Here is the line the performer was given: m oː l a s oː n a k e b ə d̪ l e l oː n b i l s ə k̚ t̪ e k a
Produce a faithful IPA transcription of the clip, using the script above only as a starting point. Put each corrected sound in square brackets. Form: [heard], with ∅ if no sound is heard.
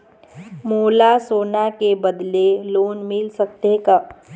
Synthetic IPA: m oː l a s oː n a k e b ə d̪ l e l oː n [m] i l s ə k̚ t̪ e k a